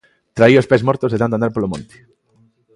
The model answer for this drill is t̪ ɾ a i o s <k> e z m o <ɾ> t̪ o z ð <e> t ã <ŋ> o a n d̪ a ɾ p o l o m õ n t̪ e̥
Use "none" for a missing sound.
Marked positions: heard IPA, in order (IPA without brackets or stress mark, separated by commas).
p, ɾ, e, n